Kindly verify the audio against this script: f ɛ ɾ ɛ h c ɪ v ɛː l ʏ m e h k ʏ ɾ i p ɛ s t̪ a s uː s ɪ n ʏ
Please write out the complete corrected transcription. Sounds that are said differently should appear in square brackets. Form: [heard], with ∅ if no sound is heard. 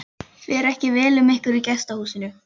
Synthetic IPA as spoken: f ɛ ɾ ɛ h c ɪ v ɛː l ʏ m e h k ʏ ɾ i [c] ɛ s t̪ a [h] uː s ɪ n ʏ